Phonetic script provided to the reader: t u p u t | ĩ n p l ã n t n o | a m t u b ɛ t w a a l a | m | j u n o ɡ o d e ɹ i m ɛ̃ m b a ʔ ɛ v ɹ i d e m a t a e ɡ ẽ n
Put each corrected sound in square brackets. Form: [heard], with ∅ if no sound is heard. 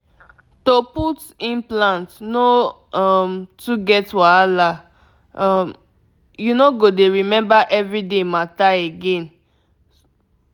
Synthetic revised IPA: t [o] p u t | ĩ n p l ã n t n o | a m t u [ɡ] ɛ t w a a l a | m | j u n o ɡ o d e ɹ i m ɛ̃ m b a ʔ ɛ v ɹ i d e m a t a e ɡ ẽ n